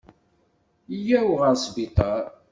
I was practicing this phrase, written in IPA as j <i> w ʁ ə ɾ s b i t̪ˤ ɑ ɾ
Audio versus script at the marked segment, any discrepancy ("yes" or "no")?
yes